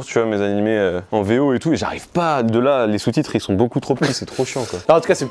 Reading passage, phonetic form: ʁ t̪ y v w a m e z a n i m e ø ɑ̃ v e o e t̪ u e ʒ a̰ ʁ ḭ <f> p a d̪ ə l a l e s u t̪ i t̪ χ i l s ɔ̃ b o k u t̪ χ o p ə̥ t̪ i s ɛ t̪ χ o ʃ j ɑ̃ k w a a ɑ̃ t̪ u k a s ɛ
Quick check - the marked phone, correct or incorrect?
incorrect